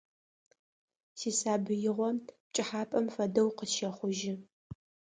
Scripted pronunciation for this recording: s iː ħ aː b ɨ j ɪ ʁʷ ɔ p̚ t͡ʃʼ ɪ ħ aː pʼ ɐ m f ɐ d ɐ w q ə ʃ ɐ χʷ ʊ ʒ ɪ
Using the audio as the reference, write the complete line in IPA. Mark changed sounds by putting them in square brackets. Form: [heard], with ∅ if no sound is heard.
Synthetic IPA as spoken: s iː [s] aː b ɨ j ɪ ʁʷ ɔ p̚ t͡ʃʼ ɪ ħ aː pʼ ɐ m f ɐ d ɐ w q ə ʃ ɐ χʷ ʊ ʒ ɪ